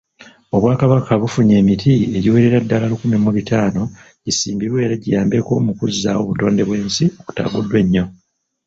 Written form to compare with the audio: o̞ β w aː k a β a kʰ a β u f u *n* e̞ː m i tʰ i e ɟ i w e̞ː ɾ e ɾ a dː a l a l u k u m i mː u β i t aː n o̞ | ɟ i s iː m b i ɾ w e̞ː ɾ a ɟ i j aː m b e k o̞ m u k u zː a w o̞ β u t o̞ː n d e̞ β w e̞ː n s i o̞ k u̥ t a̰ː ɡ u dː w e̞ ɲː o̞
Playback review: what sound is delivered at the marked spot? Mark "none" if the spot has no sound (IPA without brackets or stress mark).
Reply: ɲ